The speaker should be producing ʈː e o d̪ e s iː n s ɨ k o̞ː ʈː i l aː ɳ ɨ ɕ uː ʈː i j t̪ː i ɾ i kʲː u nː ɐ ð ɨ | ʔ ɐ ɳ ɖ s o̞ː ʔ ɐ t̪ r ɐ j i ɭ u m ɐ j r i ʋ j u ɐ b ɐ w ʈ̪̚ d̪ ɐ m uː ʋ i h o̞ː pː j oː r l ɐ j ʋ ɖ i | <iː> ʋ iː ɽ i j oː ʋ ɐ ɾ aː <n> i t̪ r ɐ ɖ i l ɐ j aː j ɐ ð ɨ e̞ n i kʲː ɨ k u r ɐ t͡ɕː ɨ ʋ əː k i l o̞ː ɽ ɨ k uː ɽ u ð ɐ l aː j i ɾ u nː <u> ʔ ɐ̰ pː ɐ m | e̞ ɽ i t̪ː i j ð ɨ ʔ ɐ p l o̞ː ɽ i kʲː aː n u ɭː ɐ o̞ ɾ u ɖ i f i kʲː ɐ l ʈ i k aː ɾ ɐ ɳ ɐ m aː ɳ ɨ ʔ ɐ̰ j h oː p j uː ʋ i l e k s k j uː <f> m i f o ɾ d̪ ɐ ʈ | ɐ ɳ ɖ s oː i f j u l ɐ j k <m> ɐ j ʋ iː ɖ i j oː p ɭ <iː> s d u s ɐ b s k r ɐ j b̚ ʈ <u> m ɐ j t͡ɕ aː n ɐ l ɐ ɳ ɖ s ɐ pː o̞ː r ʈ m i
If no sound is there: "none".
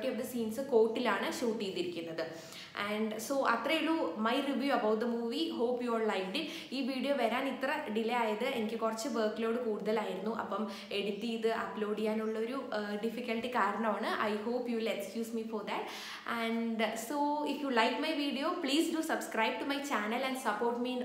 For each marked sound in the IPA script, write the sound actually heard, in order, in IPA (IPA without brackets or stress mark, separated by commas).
iː, n, u, s, m, iː, u